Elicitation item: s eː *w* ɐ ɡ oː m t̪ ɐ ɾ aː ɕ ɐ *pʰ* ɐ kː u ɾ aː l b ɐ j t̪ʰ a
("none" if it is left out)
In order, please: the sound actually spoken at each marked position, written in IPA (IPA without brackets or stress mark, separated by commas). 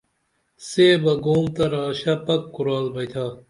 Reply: b, p